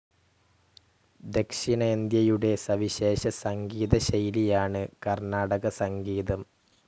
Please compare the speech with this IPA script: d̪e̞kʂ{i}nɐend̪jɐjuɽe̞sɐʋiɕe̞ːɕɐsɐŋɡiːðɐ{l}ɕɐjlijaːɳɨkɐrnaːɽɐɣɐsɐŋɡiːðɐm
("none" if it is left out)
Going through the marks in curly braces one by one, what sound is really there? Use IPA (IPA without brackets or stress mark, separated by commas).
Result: i, none